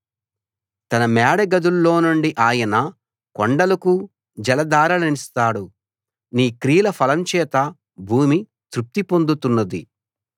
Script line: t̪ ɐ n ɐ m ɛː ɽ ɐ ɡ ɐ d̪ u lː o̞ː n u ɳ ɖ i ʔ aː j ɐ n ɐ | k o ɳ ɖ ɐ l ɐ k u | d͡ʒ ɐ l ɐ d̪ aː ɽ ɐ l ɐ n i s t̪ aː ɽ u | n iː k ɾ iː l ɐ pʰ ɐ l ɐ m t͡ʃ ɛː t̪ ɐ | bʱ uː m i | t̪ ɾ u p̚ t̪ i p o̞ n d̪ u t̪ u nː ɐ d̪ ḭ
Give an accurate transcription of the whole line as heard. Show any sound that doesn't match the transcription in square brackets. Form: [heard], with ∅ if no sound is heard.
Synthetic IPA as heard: t̪ ɐ n ɐ m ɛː ɽ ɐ ɡ ɐ d̪ u lː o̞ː n u ɳ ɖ i ʔ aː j ɐ n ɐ | k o ɳ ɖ ɐ l ɐ k u | d͡ʒ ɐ l ɐ d̪ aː [ɾ] ɐ l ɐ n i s t̪ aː ɽ u | n iː k ɾ iː l ɐ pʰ ɐ l ɐ m t͡ʃ ɛː t̪ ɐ | bʱ uː m i | t̪ ɾ u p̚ t̪ i p o̞ n d̪ u t̪ u nː ɐ d̪ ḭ